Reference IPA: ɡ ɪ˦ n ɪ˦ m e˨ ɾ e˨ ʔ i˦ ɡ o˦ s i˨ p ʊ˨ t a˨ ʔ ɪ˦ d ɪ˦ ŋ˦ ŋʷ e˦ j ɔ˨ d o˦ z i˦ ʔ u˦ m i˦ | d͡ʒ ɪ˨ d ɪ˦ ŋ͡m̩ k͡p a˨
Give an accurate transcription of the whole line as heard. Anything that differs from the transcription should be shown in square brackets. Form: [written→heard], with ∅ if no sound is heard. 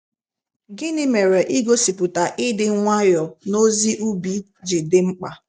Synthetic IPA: ɡ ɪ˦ n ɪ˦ m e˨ ɾ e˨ ʔ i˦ ɡ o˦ s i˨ p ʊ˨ t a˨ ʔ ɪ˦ d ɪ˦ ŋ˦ ŋʷ [e˦→a˦] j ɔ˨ [d→n] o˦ z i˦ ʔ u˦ [m→b] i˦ | d͡ʒ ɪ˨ d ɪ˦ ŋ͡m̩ k͡p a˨